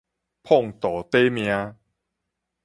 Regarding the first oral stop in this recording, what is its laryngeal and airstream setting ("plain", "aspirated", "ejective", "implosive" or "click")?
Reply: aspirated